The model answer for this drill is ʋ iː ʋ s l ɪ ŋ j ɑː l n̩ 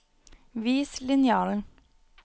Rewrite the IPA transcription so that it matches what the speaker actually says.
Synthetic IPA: ʋ iː s l ɪ n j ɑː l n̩